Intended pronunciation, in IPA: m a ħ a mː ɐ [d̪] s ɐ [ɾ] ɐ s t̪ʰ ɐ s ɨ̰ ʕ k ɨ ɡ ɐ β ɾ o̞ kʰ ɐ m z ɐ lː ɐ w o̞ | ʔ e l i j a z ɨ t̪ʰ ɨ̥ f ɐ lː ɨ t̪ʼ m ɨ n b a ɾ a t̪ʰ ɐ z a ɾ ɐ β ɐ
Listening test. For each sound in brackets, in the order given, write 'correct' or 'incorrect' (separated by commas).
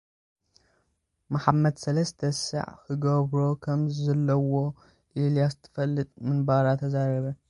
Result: correct, incorrect